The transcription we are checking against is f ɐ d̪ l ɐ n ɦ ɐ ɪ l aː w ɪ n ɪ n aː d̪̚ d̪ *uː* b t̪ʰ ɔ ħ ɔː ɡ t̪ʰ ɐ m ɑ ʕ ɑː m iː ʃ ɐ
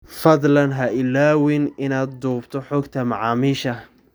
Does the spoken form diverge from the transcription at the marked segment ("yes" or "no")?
no